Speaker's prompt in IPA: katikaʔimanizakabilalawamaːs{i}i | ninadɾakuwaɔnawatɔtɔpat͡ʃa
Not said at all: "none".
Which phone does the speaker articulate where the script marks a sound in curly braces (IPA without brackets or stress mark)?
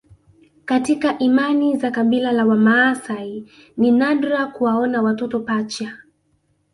a